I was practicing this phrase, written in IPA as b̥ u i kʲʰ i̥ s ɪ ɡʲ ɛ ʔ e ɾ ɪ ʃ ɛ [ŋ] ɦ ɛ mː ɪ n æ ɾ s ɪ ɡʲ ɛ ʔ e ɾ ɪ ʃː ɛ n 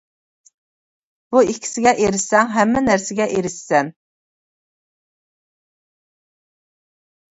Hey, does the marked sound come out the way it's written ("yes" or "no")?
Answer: yes